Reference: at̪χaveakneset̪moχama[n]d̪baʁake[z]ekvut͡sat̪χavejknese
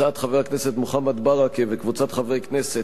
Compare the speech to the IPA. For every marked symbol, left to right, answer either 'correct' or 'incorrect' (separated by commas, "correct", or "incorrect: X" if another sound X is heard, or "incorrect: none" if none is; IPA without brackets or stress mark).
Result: incorrect: none, incorrect: v